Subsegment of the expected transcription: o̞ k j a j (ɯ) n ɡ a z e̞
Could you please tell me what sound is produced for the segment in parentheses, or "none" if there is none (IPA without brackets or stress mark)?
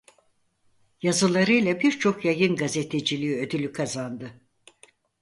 ɯ